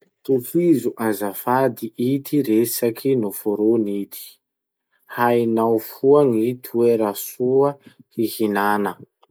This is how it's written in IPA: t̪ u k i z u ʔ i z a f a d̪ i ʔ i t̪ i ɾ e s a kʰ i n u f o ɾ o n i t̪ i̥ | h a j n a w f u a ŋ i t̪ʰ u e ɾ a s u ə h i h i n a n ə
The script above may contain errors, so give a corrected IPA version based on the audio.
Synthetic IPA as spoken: t̪ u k i z u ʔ a z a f a d̪ i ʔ i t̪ i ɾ e s a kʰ i n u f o ɾ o n i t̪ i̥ | h a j n a w f u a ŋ i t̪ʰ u e ɾ a s u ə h i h i n a n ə